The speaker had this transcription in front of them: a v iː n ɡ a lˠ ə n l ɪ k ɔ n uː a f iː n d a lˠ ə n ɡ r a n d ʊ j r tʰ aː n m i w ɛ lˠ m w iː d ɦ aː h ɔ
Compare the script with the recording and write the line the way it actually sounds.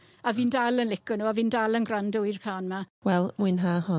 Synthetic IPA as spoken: a v iː n d a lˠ ə n l ɪ k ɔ n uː a v iː n d a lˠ ə n ɡ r a n d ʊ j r kʰ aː n m a w ɛ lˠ m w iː n ɦ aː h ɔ